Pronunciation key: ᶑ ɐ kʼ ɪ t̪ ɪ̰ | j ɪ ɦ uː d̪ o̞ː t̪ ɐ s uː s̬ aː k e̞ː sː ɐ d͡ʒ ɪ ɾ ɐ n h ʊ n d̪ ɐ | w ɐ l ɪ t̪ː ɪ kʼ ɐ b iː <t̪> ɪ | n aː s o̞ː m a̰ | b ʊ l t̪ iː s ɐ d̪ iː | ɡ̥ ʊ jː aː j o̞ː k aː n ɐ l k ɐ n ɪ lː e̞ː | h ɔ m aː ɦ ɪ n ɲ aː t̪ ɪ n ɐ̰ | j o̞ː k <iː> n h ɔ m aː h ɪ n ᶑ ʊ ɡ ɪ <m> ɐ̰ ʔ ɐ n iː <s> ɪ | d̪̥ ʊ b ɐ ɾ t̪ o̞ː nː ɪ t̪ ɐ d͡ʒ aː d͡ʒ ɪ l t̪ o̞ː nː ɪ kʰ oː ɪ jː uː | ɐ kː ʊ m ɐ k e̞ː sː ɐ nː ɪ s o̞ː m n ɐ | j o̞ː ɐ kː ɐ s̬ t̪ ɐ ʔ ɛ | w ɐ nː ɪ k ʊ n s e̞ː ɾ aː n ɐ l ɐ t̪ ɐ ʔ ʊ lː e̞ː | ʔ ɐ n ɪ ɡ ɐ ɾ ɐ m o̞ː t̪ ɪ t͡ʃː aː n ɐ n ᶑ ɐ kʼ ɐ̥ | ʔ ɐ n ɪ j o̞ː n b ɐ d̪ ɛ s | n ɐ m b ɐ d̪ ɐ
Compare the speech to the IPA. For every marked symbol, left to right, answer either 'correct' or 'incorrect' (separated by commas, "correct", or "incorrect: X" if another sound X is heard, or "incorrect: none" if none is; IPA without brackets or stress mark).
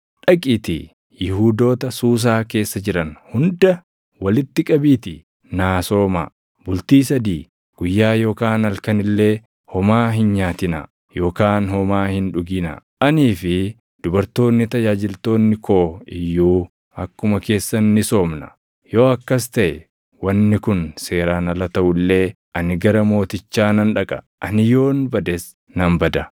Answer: correct, incorrect: aː, incorrect: n, incorrect: f